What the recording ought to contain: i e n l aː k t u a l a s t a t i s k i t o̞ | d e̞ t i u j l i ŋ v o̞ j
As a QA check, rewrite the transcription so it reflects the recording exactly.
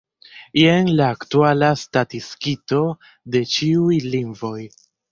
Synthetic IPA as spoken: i e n l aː k t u a l a s t a t i s k i t o̞ | d e̞ t͡ʃ i u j l i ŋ v o̞ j